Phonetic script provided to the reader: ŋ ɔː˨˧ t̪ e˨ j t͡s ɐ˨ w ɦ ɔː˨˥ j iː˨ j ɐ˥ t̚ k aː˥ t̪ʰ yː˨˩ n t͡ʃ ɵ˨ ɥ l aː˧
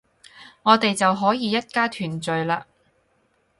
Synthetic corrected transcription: ŋ ɔː˨˧ t̪ e˨ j t͡s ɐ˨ w ɦ ɔː˨˥ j iː˨ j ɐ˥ t̚ k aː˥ t̪ʰ yː˨˩ n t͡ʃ ɵ˨ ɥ l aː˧